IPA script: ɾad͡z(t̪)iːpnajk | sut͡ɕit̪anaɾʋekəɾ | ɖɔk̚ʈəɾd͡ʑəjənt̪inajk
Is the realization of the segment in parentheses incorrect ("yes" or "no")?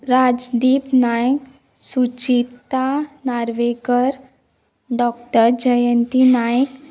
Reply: yes